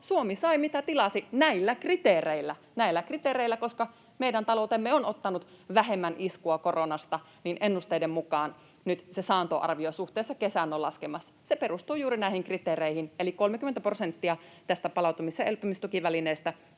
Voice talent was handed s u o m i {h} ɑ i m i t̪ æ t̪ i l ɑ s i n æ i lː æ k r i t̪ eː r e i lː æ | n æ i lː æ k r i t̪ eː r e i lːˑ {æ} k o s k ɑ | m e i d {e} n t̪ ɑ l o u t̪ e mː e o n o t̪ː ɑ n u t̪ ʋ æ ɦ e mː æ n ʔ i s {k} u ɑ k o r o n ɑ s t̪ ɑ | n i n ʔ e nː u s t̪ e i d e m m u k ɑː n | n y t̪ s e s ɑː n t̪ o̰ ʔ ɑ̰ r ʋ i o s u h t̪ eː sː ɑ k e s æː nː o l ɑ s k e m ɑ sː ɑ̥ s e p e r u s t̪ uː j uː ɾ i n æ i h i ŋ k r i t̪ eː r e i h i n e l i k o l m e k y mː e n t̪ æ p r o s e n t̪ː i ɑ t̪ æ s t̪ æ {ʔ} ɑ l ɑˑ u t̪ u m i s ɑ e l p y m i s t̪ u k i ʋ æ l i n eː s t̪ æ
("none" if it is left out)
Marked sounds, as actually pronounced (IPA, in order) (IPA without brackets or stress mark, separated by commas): s, æ, æ, k, p